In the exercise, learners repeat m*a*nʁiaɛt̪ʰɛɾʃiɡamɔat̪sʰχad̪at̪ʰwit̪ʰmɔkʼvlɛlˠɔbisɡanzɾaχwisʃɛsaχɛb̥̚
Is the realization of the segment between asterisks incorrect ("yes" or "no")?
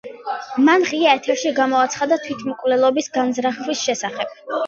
no